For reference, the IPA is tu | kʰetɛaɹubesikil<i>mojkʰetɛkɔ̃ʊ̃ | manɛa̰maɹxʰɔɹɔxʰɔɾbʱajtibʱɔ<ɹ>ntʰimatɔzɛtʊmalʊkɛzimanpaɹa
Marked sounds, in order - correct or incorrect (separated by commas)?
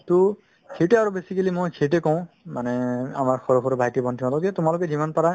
correct, incorrect